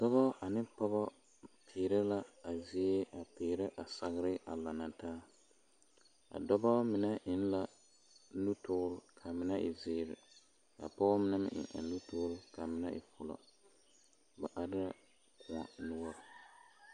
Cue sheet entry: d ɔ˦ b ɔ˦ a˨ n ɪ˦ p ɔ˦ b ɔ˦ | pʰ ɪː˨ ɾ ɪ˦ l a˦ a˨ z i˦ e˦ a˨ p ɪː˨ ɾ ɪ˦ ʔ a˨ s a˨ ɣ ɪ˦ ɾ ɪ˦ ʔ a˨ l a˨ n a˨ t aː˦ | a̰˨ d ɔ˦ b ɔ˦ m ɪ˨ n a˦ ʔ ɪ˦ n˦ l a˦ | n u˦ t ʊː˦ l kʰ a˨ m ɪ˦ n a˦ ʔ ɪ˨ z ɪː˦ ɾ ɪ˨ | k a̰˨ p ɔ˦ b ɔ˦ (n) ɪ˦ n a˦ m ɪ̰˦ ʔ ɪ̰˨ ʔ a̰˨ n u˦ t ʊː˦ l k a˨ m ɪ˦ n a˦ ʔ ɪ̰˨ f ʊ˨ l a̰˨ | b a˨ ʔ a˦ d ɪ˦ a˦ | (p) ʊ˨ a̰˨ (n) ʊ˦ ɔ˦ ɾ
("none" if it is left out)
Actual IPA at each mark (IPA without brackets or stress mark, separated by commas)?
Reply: m, k, n